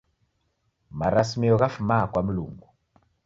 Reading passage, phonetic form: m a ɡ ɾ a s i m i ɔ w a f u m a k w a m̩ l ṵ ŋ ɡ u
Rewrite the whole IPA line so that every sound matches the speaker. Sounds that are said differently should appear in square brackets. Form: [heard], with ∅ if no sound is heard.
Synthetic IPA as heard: m a [∅] ɾ a s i m i ɔ [ɣ] a f u m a k w a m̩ l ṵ ŋ ɡ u

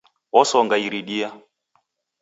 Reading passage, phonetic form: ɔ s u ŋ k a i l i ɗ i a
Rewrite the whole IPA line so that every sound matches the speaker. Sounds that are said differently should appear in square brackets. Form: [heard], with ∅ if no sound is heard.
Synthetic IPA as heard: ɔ s [ɔ] ŋ [ɡ] a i [ɾ] i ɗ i a

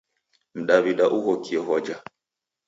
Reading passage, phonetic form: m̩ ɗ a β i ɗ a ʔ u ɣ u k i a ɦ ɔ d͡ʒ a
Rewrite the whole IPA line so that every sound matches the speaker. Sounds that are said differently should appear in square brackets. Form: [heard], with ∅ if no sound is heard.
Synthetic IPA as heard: m̩ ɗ a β i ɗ a ʔ u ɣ [ɔ] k i [ɛ] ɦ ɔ d͡ʒ a

